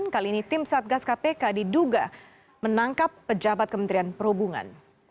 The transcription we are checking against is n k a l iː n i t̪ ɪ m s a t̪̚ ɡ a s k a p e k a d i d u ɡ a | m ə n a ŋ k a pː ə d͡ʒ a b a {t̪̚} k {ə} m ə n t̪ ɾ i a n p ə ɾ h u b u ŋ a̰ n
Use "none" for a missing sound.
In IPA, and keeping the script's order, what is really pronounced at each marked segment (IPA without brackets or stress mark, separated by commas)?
t̪̚, ə